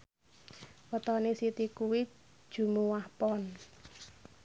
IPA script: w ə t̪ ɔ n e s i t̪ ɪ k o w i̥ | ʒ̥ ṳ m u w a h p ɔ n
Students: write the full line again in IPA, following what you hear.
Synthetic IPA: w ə t̪ ɔ n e s i t̪ i k u w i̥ | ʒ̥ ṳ m u w a h p ɔ n